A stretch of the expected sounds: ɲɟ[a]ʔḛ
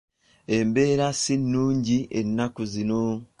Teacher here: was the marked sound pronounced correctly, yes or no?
no